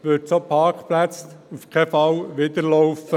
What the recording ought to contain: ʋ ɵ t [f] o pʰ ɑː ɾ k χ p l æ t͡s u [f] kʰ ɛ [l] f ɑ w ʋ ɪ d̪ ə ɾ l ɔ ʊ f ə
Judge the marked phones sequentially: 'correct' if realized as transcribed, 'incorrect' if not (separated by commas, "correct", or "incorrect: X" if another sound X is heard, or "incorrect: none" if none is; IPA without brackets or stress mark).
incorrect: s, correct, incorrect: none